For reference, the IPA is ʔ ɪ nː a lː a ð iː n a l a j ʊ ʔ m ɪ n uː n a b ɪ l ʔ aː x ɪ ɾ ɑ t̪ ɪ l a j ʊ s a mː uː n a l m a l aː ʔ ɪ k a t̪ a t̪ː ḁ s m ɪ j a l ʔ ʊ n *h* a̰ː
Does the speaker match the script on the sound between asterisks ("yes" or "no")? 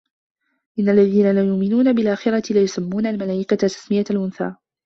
no